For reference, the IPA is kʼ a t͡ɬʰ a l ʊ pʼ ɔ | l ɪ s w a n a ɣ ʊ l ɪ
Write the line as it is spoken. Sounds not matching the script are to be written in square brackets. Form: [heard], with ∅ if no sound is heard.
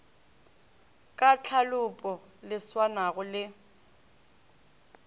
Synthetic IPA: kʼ a t͡ɬʰ a l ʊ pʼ ɔ | l ɪ s w a n a ɣ ʊ l ɪ